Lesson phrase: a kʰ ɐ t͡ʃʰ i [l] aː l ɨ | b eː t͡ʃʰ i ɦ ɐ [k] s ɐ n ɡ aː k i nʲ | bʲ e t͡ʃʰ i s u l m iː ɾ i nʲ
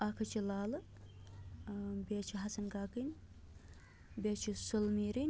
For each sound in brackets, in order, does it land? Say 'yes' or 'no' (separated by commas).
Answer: yes, no